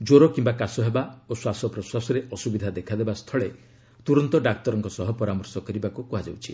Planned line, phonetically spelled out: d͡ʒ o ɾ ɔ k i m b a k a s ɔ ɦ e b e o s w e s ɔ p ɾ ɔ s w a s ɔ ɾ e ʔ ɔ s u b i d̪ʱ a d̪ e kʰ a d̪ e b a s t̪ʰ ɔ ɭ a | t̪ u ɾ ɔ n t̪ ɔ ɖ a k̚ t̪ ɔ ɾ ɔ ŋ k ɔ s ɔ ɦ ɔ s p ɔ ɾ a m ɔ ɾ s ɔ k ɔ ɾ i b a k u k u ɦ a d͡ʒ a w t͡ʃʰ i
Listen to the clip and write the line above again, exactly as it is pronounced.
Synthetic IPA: d͡ʒ o ɾ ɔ k i m b a k a s ɔ ɦ e b a o s w a s ɔ p ɾ ɔ s w a s ɔ ɾ e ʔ ɔ s u b i d̪ʱ a d̪ e kʰ a d̪ e b a s t̪ʰ ɔ ɭ e | t̪ u ɾ ɔ n t̪ ɔ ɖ a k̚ t̪ ɔ ɾ ɔ ŋ k ɔ s ɔ ɦ ɔ p ɔ ɾ a m ɔ ɾ s ɔ k ɔ ɾ i b a k u k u ɦ a d͡ʒ a w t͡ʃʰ i